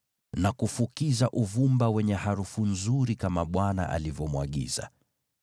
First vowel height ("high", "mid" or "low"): low